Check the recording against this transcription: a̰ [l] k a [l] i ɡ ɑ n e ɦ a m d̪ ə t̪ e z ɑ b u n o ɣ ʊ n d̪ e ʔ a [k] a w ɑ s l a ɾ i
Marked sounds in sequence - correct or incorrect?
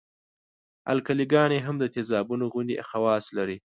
correct, correct, incorrect

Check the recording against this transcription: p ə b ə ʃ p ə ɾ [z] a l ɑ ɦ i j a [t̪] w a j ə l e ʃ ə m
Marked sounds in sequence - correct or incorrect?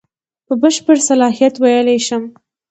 incorrect, correct

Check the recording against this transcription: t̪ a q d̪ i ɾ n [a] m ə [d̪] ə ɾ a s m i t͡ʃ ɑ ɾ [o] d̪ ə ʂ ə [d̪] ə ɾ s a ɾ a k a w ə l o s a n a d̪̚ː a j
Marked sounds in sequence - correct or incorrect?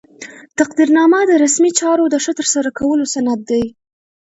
incorrect, correct, correct, incorrect

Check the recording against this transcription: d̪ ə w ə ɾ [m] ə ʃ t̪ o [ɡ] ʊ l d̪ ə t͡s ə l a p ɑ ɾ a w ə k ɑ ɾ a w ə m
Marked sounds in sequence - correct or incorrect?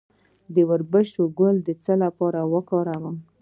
incorrect, correct

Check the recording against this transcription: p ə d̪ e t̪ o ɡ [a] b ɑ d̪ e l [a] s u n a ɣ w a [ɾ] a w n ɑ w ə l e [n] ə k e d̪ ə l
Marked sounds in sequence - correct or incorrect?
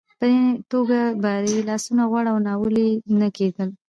correct, incorrect, incorrect, correct

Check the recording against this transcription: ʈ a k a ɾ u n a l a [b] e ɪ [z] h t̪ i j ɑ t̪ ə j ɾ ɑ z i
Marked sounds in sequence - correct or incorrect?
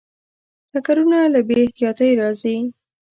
correct, incorrect

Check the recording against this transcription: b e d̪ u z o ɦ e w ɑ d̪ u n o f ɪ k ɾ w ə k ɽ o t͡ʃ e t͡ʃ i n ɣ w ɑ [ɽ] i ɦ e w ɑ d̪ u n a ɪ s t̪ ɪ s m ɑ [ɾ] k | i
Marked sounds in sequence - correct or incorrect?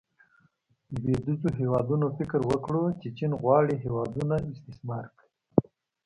correct, correct

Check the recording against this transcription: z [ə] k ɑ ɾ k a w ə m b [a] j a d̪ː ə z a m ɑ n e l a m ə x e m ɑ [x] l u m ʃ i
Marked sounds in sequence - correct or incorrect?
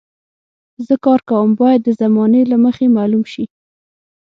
correct, incorrect, incorrect

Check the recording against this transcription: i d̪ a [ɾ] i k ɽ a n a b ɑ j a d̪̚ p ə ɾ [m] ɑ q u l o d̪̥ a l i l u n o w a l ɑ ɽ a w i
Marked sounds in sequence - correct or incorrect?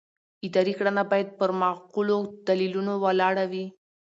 correct, correct

